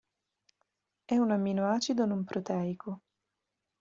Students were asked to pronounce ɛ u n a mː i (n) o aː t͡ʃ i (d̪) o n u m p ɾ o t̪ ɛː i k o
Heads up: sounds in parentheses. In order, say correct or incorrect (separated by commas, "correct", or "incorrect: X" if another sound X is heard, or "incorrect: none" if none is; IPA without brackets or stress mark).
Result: correct, correct